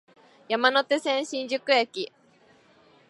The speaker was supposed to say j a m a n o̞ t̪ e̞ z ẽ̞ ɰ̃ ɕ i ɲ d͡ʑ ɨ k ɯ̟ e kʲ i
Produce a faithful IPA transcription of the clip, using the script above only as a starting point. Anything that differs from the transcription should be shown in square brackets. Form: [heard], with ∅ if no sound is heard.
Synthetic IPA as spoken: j a m a n o̞ t̪ e̞ [s] ẽ̞ ɰ̃ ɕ [ĩ] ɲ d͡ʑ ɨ k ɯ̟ e kʲ i